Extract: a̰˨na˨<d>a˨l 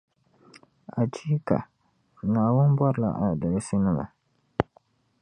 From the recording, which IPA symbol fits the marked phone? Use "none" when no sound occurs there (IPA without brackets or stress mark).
d